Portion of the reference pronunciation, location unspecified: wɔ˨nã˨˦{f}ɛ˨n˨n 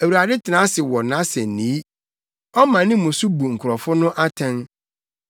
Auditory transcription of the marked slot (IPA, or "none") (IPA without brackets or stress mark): s